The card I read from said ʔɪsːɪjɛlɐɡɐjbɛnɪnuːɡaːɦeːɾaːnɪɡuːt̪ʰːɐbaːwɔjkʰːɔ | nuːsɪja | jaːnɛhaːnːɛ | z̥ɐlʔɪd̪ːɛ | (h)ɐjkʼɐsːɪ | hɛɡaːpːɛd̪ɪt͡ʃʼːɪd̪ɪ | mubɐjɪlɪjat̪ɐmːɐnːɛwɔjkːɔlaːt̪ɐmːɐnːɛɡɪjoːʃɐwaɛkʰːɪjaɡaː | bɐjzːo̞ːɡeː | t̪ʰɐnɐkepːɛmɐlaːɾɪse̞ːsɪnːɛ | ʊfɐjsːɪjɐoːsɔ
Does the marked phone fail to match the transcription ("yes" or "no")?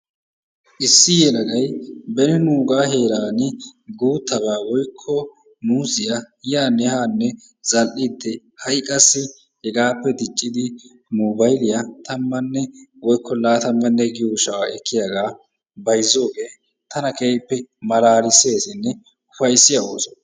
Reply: no